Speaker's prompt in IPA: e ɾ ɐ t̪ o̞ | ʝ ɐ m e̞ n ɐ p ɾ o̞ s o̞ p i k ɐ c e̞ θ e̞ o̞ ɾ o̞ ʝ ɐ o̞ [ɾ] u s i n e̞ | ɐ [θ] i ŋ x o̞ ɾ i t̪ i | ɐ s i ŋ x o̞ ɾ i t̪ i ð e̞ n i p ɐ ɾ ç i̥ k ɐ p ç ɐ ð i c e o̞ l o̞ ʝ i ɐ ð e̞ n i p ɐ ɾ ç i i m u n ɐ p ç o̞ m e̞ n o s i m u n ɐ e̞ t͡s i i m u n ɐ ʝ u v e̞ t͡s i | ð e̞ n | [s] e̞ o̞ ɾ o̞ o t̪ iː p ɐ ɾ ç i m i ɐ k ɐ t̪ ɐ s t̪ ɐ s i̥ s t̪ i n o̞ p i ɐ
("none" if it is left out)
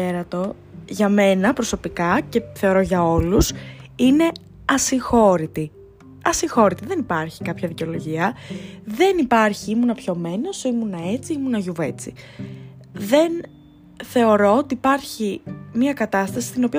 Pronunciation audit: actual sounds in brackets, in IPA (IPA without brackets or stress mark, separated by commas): l, s, θ